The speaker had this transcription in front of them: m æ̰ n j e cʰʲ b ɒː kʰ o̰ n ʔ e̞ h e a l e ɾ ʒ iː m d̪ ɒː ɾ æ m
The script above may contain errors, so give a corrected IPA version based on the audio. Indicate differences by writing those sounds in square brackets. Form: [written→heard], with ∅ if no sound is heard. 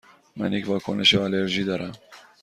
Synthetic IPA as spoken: m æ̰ n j e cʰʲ [b→v] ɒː kʰ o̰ n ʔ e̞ [h→ʃ] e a l e ɾ ʒ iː [m→∅] d̪ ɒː ɾ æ m